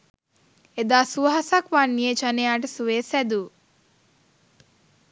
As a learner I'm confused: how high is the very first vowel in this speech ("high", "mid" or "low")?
mid